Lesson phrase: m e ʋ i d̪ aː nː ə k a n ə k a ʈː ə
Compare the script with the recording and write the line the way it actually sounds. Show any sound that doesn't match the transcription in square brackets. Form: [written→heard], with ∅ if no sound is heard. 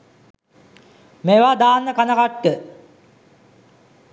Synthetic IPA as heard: m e ʋ [i→a] d̪ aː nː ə k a n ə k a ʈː ə